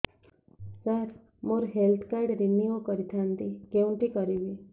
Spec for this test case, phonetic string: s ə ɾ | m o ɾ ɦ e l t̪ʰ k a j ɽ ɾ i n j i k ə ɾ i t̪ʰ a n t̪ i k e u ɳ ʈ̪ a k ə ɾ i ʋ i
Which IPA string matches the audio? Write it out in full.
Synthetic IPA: s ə ɾ | m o ɾ ɦ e l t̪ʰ k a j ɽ ɾ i n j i k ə ɾ i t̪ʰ a n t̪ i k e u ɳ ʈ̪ i k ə ɾ i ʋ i